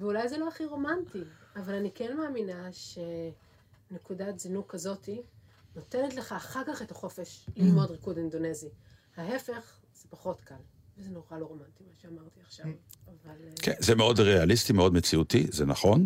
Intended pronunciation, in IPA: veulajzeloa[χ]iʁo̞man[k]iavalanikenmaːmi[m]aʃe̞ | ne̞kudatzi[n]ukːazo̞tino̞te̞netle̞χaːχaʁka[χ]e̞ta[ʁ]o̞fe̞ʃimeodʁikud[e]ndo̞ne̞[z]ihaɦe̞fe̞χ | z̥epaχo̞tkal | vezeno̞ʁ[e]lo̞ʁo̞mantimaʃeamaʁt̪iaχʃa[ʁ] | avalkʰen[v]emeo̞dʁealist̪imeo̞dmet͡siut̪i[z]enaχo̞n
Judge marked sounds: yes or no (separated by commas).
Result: yes, no, no, yes, yes, no, no, yes, no, no, no, yes